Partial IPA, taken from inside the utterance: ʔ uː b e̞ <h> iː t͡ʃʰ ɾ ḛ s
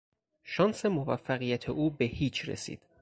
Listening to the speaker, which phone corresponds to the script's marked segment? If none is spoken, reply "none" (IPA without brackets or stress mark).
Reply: h